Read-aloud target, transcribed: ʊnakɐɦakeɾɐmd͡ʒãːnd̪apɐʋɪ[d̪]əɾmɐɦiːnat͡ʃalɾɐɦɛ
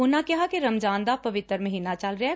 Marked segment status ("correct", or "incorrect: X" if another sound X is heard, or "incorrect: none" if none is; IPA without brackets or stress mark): incorrect: t̪